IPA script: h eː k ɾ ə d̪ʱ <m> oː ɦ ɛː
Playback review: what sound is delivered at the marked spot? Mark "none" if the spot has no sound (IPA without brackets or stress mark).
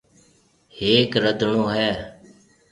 ɳ